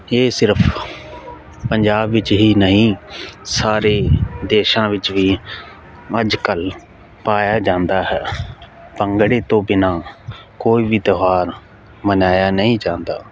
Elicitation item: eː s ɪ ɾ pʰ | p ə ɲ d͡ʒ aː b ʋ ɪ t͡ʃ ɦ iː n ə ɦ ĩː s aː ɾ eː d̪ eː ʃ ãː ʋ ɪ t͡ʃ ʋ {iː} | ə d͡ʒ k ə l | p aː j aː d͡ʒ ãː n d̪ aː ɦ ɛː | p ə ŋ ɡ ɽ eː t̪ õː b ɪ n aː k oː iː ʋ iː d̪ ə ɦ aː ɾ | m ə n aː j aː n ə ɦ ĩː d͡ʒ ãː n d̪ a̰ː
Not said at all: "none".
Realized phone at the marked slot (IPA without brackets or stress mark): iː